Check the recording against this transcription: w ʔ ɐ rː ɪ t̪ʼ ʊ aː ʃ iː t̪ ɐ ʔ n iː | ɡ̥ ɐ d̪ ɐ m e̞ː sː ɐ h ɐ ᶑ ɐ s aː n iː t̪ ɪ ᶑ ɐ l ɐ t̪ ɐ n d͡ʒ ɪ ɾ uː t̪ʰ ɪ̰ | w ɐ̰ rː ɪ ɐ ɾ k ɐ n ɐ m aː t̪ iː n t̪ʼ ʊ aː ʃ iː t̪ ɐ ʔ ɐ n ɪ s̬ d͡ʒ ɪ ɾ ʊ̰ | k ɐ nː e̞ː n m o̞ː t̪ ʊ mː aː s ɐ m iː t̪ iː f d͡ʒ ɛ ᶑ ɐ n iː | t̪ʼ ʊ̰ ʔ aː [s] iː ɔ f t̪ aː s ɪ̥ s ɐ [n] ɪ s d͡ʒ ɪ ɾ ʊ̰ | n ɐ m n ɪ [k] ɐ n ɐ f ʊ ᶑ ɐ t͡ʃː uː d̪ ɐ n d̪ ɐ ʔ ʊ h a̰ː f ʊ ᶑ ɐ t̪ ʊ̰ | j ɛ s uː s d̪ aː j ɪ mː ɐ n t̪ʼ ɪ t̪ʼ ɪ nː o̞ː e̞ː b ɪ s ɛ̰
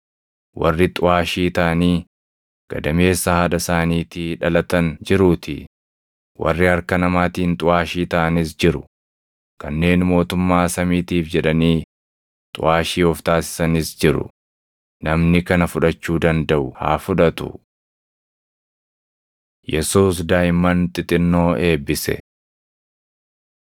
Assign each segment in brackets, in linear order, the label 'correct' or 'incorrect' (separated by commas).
incorrect, correct, correct